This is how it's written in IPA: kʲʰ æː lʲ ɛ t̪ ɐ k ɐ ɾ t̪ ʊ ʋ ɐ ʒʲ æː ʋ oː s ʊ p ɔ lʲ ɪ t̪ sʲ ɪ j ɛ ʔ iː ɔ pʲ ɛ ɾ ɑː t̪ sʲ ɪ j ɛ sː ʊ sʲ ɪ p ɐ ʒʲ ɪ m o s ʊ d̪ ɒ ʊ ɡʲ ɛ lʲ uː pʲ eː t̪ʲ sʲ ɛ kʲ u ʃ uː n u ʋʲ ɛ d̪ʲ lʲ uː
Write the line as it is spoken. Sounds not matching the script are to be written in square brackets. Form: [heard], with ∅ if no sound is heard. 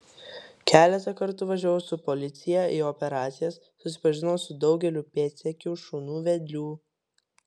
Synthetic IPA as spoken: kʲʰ æː lʲ ɛ t̪ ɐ k ɐ ɾ t̪ ʊ ʋ ɐ ʒʲ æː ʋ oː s ʊ p ɔ lʲ ɪ t̪ sʲ ɪ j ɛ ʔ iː ɔ pʲ ɛ ɾ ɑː t̪ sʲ ɪ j ɛ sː ʊ sʲ ɪ p ɐ ʒʲ ɪ [n] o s ʊ d̪ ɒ ʊ ɡʲ ɛ lʲ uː pʲ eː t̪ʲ sʲ ɛ kʲ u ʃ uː n [uː] ʋʲ ɛ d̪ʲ lʲ uː